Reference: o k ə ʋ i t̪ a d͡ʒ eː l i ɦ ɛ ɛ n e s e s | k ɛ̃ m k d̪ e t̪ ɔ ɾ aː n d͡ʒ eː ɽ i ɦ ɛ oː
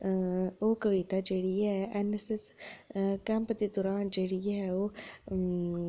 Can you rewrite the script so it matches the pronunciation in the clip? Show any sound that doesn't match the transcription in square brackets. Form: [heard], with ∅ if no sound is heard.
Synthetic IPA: o k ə ʋ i t̪ a d͡ʒ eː [ɽ] i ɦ ɛ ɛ n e s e s | k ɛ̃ m [p] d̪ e [d̪] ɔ ɾ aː n d͡ʒ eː ɽ i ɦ ɛ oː